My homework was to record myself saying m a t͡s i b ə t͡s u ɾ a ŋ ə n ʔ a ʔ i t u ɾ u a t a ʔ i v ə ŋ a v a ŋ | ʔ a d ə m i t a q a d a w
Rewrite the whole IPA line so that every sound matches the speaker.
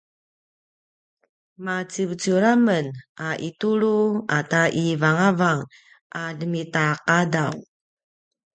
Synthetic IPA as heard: m a t͡s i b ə t͡s u ɾ a m ə n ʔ a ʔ i t u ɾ u a t a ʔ i v a ŋ a v a ŋ | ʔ a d ə m i t a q a d a w